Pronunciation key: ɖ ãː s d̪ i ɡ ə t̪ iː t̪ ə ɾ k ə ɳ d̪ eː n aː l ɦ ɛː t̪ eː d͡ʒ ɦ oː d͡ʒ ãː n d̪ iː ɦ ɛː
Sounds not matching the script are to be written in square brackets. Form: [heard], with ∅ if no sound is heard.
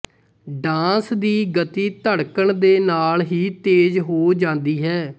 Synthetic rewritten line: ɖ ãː s d̪ [iː] ɡ ə t̪ iː t̪ ə [ɽ] k ə ɳ d̪ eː n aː l ɦ [iː] t̪ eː d͡ʒ ɦ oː d͡ʒ ãː n d̪ iː ɦ ɛː